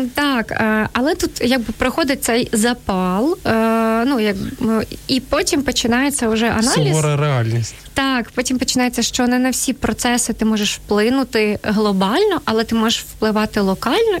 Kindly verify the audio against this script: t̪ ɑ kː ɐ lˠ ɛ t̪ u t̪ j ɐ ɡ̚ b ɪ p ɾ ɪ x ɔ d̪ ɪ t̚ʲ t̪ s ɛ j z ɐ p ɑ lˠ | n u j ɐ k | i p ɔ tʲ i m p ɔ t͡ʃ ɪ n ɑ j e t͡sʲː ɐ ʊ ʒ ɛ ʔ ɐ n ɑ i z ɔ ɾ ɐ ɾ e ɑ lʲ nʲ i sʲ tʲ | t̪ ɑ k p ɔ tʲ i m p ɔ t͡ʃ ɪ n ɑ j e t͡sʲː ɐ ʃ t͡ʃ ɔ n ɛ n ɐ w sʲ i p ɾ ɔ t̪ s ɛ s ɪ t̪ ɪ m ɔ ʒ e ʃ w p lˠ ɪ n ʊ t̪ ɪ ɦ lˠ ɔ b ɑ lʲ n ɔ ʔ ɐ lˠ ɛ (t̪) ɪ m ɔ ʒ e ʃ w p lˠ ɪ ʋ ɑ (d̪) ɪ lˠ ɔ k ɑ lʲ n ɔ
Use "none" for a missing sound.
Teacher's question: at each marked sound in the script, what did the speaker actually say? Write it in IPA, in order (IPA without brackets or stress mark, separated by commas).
t̪, t̪